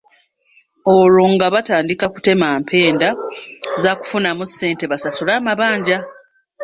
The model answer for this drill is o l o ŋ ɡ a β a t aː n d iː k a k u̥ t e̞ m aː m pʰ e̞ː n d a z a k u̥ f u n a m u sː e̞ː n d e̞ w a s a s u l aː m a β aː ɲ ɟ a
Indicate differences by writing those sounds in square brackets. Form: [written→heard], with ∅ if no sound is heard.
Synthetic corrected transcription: o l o ŋ ɡ a β a t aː n d [iː→i] k a k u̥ t e̞ m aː m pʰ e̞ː n d a z a k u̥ f u n a m u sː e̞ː n [d→t] e̞ [w→β] a s a s u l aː m a β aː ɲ ɟ a

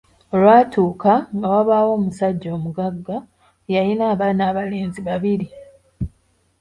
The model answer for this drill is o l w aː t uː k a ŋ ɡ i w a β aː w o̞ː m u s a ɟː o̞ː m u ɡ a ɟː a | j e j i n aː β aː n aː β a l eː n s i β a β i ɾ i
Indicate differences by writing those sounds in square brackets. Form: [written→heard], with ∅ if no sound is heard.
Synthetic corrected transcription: o l w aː t uː k a ŋ ɡ [i→a] w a β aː w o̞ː m u s a ɟː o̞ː m u ɡ a [ɟː→ɡː] a | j [e→a] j i n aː β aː n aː β a l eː n [s→z] i β a β i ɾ i

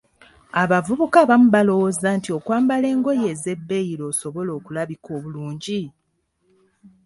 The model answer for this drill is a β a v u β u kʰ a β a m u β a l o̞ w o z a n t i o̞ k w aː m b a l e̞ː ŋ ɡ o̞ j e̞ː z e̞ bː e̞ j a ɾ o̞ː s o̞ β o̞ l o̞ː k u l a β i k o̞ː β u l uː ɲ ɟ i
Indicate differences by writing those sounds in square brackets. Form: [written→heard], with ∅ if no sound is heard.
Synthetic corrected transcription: a β a v u β u [kʰ→k] a β a m u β a l o̞ w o z a n t i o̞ k w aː m b a l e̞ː ŋ ɡ o̞ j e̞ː z e̞ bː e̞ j [a→i] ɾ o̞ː s o̞ β o̞ l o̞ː k u l a β i k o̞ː β u l uː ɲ ɟ i

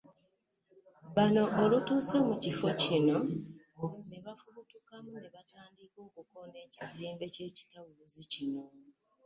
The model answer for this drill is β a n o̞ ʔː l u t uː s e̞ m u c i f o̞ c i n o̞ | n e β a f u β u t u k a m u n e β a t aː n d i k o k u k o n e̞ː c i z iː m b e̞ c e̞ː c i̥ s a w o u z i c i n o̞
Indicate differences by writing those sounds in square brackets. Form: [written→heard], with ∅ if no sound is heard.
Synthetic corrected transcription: β a n o̞ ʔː l u t uː s e̞ m u c i f o̞ c i n o̞ | n e β a f u β u t u k a m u n e β a t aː n d i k o k u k o n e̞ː c i z iː m b e̞ c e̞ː c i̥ [s→t] a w [o→u] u z i c i n o̞

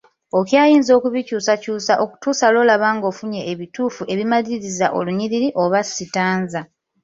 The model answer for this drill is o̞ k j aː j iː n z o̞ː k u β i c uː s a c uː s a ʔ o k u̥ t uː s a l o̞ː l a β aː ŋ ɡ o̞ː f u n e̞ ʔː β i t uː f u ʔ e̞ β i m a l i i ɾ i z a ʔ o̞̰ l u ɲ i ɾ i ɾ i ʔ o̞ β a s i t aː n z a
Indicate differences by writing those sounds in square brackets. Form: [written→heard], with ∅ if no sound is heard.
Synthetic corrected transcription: o̞ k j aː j iː n z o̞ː k u β i c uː s a c uː s a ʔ o k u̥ t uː s a l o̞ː l a β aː ŋ ɡ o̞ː f u [n→ɲ] e̞ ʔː β i t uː f u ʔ e̞ β i m a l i i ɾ i z a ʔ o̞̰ l u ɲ i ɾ i ɾ i ʔ o̞ β a s i t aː n z a

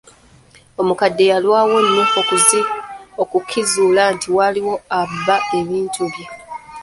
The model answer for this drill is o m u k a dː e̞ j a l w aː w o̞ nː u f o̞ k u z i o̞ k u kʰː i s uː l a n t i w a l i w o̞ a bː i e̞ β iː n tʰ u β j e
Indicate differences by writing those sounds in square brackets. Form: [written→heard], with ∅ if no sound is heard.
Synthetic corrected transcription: o m u k a dː e̞ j a l w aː w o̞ nː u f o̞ k u z i o̞ k u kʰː i [s→z] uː l a n t i w a l i w o̞ a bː [i→a] e̞ β iː n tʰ u β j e

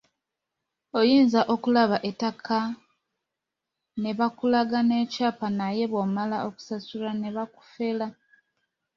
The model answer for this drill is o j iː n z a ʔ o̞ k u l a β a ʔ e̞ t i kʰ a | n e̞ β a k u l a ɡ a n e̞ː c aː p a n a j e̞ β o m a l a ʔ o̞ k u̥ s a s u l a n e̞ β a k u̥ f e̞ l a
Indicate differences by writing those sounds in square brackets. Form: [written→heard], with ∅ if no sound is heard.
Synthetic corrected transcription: o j iː n z a ʔ o̞ k u l a β a ʔ e̞ t [i→a] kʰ a | n e̞ β a k u l a ɡ a n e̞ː c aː p a n a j e̞ β o m a l a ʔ o̞ k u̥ s a s u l a n e̞ β a k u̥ f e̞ l a

